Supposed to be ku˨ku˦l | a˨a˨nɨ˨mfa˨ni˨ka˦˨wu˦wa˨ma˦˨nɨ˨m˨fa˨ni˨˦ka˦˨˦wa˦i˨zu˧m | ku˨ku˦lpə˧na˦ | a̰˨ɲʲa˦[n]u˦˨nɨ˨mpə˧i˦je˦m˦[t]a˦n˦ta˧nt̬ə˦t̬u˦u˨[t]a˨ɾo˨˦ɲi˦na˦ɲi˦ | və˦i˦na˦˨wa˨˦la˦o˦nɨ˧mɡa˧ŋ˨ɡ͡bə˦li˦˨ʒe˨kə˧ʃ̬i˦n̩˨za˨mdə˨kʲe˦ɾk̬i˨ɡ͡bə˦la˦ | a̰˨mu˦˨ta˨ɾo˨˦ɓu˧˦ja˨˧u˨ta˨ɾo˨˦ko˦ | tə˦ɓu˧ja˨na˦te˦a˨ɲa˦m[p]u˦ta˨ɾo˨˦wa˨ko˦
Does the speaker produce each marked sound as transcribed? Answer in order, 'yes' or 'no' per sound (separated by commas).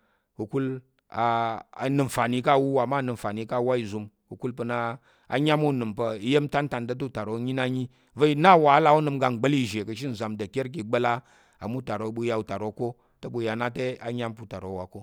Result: no, yes, yes, yes